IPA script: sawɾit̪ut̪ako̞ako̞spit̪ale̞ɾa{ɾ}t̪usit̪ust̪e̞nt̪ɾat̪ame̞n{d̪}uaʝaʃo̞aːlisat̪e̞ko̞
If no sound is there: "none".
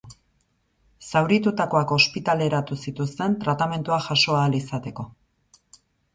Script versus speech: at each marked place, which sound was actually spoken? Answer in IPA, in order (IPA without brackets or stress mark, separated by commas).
none, t̪